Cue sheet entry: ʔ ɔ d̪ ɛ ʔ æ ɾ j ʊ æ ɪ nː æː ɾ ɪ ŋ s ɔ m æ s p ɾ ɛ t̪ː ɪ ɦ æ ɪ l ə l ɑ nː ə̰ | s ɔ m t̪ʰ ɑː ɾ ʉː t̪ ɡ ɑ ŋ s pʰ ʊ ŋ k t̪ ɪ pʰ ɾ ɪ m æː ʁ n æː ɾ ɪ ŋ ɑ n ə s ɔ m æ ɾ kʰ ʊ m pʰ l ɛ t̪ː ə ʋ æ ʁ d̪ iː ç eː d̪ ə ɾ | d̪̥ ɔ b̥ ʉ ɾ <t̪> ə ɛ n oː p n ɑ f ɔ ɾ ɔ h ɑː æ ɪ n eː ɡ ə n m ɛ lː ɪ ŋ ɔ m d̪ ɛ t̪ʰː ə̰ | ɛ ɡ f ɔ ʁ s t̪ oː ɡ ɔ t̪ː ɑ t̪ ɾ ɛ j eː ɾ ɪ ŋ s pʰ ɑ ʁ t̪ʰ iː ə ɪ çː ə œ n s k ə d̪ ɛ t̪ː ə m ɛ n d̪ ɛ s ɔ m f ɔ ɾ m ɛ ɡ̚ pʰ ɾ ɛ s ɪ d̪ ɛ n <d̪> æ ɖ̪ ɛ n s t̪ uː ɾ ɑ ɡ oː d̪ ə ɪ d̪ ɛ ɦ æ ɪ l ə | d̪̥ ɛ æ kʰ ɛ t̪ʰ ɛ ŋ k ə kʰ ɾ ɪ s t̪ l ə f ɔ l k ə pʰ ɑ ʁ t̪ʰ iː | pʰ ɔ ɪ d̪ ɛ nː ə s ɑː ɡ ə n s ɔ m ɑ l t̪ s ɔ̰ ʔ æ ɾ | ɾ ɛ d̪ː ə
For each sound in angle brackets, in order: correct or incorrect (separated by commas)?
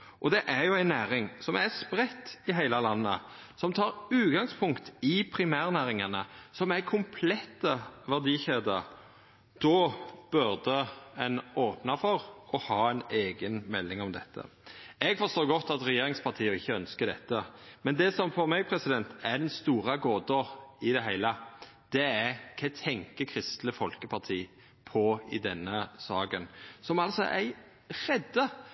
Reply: incorrect, incorrect